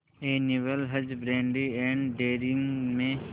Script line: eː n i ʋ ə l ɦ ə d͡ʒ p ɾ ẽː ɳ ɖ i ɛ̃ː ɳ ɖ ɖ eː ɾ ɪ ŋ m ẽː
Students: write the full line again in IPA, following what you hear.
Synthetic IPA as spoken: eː n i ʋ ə l ɦ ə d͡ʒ b ɾ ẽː ɳ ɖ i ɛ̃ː ɳ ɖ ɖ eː ɾ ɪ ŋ m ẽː